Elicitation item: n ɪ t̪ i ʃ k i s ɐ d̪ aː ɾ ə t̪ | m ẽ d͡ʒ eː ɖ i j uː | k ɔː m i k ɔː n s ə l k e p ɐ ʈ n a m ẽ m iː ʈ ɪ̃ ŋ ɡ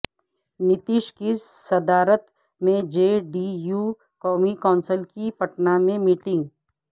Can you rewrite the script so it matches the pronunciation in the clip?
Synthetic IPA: n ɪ t̪ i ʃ k i s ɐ d̪ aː ɾ ə t̪ | m ẽ d͡ʒ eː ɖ i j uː | k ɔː m i k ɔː n s ə l k i p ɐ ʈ n a m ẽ m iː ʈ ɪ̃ ŋ ɡ